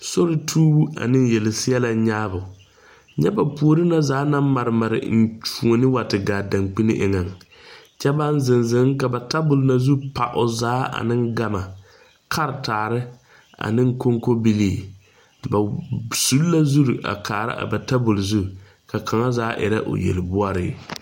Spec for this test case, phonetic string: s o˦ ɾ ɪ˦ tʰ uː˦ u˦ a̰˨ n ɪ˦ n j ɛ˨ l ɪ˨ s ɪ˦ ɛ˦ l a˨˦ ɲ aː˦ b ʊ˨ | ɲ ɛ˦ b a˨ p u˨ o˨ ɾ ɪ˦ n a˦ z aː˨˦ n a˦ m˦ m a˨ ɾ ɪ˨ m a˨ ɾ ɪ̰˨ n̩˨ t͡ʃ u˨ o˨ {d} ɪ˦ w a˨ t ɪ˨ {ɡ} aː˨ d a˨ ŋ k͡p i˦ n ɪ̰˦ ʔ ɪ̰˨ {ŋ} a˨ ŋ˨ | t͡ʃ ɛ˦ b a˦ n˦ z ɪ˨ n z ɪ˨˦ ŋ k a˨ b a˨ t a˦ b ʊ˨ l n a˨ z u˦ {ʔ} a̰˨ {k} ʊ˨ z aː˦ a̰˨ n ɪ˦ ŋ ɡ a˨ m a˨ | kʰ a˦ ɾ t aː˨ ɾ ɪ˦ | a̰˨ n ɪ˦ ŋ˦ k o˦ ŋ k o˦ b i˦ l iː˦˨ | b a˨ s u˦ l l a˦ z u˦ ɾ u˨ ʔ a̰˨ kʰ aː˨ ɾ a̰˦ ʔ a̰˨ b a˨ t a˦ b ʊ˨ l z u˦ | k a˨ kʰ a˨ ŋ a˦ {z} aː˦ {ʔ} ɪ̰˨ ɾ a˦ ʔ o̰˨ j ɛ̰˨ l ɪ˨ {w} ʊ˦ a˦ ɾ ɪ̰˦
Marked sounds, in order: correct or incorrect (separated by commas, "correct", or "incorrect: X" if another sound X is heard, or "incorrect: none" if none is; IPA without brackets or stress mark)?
incorrect: n, correct, correct, incorrect: p, incorrect: ʔ, correct, correct, incorrect: b